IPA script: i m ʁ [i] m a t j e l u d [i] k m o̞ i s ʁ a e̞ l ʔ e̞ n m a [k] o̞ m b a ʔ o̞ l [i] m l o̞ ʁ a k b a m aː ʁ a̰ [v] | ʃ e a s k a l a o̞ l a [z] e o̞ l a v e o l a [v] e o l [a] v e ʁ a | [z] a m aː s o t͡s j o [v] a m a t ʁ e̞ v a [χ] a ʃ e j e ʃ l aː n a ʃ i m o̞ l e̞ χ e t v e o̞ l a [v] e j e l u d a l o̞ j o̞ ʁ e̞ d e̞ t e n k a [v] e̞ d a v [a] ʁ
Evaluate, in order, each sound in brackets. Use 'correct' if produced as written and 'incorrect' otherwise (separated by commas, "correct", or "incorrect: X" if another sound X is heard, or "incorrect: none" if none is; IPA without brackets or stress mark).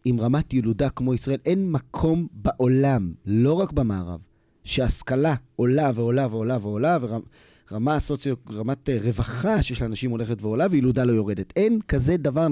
incorrect: a, incorrect: a, incorrect: kʰ, incorrect: a, correct, incorrect: v, correct, correct, incorrect: ʁ, incorrect: ʁ, correct, correct, incorrect: z, correct